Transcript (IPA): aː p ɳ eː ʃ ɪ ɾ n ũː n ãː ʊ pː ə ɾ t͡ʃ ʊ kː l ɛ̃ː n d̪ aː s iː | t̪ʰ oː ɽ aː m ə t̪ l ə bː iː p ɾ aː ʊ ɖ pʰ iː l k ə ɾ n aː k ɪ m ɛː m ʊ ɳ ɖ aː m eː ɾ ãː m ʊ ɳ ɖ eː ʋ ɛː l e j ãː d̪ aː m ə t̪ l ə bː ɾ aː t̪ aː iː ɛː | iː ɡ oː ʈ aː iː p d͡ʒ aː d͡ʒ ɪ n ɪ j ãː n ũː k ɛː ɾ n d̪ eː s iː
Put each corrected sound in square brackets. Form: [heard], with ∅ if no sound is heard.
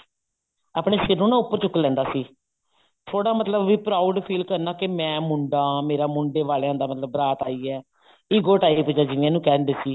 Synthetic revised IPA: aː p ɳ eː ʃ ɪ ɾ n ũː n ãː ʊ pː ə ɾ t͡ʃ ʊ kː l ɛ̃ː n d̪ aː s iː | t̪ʰ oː ɽ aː m ə t̪ l ə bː iː p ɾ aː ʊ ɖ pʰ iː l k ə ɾ n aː k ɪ m [ɛ̃ː] m ʊ ɳ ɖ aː m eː ɾ [aː] m ʊ ɳ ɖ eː ʋ [aː] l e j ãː d̪ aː m ə t̪ l ə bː ɾ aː t̪ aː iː ɛː | iː ɡ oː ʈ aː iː p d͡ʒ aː d͡ʒ ɪ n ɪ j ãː n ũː k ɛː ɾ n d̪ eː s iː